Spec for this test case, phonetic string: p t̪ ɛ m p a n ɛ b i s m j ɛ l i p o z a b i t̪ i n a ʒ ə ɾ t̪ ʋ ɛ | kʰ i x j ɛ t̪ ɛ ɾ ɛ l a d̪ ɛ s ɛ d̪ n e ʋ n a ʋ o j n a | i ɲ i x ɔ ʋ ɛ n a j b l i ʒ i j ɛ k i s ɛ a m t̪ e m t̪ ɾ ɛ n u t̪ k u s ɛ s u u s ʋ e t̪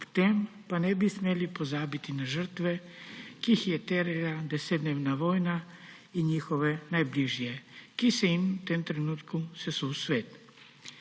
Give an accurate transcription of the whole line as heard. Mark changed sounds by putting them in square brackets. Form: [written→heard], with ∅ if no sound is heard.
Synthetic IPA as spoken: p t̪ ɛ m p a n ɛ b i s m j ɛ l i p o z a b i t̪ i n a ʒ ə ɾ t̪ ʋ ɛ | [kʰ→k] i x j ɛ t̪ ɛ ɾ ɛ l a d̪ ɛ s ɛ d̪ n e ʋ n a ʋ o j n a | i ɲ i x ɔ ʋ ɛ n a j b l i ʒ i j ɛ k i s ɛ [a→i] m t̪ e m t̪ ɾ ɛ n u t̪ k u s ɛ s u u s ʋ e t̪